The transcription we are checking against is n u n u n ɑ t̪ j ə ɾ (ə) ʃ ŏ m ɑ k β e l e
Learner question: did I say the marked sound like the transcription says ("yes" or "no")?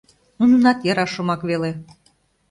no